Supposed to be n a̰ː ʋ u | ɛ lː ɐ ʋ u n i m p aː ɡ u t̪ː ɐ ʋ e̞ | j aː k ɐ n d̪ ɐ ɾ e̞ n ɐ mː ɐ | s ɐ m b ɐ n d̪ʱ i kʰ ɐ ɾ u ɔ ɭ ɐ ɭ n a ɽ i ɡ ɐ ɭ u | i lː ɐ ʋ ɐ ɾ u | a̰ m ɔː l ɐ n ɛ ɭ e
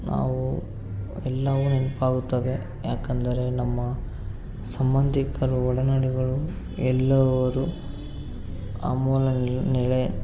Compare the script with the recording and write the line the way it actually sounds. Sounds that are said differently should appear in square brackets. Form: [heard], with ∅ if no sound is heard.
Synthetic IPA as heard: n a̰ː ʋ u | ɛ lː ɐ ʋ u n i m p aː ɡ u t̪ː ɐ ʋ e̞ | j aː k ɐ n d̪ ɐ ɾ e̞ n ɐ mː ɐ | s ɐ m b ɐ n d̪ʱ i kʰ ɐ ɾ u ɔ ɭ ɐ [∅] n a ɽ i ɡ ɐ ɭ u | [ɛ] lː ɐ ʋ ɐ ɾ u | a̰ m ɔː l ɐ n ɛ ɭ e